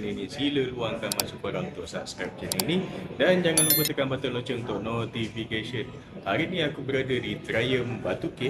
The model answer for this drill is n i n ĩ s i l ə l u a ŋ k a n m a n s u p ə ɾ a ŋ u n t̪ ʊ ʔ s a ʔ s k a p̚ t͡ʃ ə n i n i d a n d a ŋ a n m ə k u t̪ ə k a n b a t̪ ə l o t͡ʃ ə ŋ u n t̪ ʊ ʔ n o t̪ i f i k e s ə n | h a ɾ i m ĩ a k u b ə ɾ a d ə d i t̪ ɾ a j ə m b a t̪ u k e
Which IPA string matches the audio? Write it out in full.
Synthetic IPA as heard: n i n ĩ s i l ə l u a ŋ k a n m a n s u p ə ɾ a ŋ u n t̪ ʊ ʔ s a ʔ s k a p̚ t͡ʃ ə n i n i d a n d͡ʒ a ŋ a n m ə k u t̪ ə k a n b a t̪ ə l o t͡ʃ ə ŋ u n t̪ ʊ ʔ n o t̪ i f i k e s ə n | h a ɾ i n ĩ a k u b ə ɾ a d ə d i t̪ ɾ a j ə m b a t̪ u k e